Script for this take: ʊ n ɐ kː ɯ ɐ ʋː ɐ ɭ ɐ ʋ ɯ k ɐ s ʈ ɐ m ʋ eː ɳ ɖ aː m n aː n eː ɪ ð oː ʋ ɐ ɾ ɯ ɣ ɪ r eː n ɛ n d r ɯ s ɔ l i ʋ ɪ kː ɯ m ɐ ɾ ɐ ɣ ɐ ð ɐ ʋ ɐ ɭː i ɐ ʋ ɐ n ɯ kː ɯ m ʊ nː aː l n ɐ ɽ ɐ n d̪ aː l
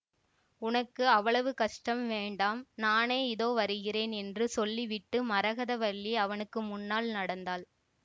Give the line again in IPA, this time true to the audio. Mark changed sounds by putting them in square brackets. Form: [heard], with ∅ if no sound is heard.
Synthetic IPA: ʊ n ɐ kː ɯ ɐ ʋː ɐ ɭ ɐ ʋ ɯ k ɐ [ʂ] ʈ ɐ m ʋ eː ɳ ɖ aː m n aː n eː ɪ ð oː ʋ ɐ ɾ ɯ ɣ ɪ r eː n ɛ n d r ɯ s ɔ [lː] i ʋ ɪ [ʈː] ɯ m ɐ ɾ ɐ ɣ ɐ ð ɐ ʋ ɐ ɭː i ɐ ʋ ɐ n ɯ kː ɯ m ʊ nː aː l n ɐ ɽ ɐ n d̪ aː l

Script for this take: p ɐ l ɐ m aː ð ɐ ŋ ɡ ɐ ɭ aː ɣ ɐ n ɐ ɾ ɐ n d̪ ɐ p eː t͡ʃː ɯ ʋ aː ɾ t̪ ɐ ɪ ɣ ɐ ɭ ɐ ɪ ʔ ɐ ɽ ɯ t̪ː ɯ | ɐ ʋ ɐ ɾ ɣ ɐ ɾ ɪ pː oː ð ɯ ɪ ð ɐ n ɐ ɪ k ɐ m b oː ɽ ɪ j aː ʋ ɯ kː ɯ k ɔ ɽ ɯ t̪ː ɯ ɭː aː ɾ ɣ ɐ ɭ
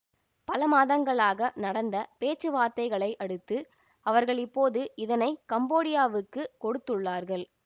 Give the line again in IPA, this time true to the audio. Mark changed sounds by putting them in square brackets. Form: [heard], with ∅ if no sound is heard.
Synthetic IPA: p ɐ l ɐ m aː ð ɐ ŋ ɡ ɐ ɭ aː ɣ ɐ n ɐ [ɽ] ɐ n d̪ ɐ p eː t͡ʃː ɯ ʋ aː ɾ t̪ ɐ ɪ ɣ ɐ ɭ ɐ ɪ ʔ ɐ ɽ ɯ t̪ː ɯ | ɐ ʋ ɐ ɾ ɣ ɐ [ɭ] ɪ pː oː ð ɯ ɪ ð ɐ n ɐ ɪ k ɐ m b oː ɽ ɪ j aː ʋ ɯ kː ɯ k ɔ ɽ ɯ t̪ː ɯ ɭː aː ɾ ɣ ɐ ɭ

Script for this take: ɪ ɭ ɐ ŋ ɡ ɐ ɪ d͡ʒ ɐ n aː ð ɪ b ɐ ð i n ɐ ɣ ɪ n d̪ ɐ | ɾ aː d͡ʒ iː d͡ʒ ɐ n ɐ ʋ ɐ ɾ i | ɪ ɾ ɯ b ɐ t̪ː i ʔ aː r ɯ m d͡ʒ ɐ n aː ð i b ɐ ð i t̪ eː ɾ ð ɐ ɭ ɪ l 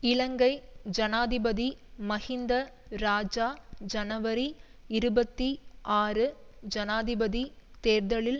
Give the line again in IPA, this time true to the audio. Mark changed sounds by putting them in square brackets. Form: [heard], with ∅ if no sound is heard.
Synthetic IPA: ɪ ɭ ɐ ŋ ɡ ɐ ɪ d͡ʒ ɐ n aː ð ɪ b ɐ ð i [m] ɐ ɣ ɪ n d̪ ɐ | ɾ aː d͡ʒ [aː] d͡ʒ ɐ n ɐ ʋ ɐ ɾ i | ɪ ɾ ɯ b ɐ t̪ː i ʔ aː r ɯ [∅] d͡ʒ ɐ n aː ð [ɪ] b ɐ ð i t̪ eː ɾ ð ɐ ɭ ɪ l

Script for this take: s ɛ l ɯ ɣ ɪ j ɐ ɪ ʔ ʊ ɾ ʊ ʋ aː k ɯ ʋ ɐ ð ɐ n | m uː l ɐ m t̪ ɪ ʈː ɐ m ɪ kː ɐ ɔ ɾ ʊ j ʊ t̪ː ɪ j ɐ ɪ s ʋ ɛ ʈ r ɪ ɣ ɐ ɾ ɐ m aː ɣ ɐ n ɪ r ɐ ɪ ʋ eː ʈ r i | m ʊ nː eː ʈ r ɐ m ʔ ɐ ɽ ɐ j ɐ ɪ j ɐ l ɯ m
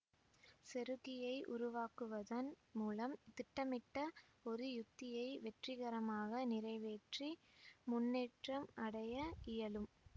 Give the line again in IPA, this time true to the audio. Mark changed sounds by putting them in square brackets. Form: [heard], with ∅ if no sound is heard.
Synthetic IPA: s ɛ [ɾ] ɯ ɣ ɪ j ɐ ɪ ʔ ʊ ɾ ʊ ʋ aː k ɯ ʋ ɐ ð ɐ n | m uː l ɐ m t̪ ɪ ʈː ɐ m ɪ [ʈː] ɐ ɔ ɾ [ɯ] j ʊ t̪ː ɪ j ɐ ɪ [∅] ʋ ɛ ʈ r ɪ ɣ ɐ ɾ ɐ m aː ɣ ɐ n ɪ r ɐ ɪ ʋ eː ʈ r i | m ʊ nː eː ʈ r ɐ m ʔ ɐ ɽ ɐ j ɐ ɪ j ɐ l ɯ m

